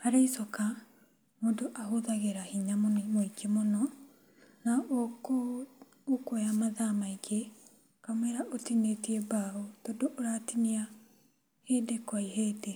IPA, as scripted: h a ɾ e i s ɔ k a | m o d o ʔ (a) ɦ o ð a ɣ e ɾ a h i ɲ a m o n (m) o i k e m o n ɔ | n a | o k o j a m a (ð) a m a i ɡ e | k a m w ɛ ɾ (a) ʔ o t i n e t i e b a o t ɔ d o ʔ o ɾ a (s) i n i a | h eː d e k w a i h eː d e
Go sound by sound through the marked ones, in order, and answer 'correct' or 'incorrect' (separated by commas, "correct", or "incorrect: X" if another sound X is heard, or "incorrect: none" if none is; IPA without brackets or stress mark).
correct, correct, correct, correct, incorrect: t